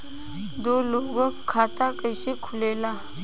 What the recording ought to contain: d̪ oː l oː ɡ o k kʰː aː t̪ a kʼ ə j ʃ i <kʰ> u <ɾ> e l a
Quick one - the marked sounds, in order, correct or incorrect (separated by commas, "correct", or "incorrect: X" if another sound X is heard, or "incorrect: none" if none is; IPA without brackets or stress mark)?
correct, incorrect: l